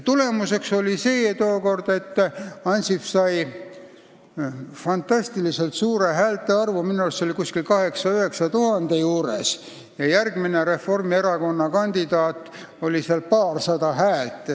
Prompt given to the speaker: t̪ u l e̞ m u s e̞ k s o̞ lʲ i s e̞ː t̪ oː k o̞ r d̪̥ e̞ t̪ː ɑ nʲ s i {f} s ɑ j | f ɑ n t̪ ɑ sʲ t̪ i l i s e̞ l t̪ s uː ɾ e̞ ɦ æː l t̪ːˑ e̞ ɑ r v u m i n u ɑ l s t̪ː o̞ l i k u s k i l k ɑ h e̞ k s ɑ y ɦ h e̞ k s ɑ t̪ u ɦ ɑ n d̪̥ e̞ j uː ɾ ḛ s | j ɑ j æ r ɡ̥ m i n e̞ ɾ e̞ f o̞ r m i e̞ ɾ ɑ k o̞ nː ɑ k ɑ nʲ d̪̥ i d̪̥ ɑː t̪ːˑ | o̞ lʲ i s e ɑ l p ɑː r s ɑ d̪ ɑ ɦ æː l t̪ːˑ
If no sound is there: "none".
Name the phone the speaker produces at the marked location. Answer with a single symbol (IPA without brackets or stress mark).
f